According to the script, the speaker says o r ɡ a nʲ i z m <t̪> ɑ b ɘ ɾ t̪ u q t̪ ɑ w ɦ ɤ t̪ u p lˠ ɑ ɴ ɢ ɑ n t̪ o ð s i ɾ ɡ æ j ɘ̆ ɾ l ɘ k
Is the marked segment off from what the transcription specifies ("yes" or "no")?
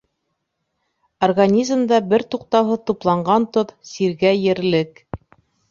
yes